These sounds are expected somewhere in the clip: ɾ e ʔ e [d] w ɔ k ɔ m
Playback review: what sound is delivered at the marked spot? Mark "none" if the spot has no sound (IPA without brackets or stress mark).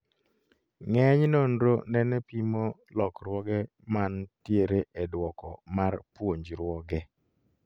d